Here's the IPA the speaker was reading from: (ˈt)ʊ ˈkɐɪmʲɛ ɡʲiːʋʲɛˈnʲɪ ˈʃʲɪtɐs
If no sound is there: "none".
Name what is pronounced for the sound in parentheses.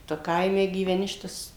t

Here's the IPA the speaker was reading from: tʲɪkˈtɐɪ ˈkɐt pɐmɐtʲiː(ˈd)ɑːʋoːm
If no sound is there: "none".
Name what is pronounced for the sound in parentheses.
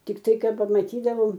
d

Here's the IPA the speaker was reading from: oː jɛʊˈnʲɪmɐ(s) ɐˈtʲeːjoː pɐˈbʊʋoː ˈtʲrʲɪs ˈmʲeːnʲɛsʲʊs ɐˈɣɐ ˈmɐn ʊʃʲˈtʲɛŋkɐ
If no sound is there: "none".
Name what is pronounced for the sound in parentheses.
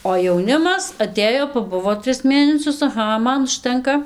s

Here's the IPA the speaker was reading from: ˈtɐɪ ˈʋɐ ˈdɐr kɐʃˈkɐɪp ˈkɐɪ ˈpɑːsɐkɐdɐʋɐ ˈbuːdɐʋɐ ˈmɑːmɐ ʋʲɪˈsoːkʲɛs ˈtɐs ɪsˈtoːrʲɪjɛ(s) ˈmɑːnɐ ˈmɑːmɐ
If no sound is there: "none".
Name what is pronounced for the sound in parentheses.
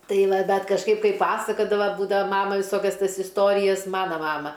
s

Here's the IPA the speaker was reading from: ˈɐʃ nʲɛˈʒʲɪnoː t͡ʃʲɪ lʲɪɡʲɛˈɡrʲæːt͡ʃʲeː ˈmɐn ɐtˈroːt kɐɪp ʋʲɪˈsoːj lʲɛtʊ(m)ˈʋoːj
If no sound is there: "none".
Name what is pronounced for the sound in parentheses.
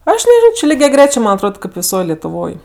none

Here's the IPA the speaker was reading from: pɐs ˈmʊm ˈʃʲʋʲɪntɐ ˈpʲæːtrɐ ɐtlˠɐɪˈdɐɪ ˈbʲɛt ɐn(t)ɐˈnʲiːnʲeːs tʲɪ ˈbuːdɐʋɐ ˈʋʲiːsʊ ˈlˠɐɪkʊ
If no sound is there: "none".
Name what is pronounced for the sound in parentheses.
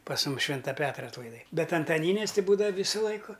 t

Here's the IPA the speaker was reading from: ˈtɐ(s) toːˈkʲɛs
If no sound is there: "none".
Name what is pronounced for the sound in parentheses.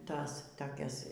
s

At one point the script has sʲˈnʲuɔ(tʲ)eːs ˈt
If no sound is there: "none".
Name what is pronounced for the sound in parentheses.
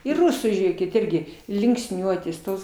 tʲ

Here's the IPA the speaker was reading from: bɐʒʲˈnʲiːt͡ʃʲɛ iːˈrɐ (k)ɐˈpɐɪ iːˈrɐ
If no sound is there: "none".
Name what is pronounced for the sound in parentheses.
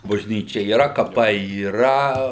k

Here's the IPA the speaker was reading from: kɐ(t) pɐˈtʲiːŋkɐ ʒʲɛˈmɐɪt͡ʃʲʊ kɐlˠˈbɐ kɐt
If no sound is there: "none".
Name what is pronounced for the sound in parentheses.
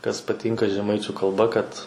s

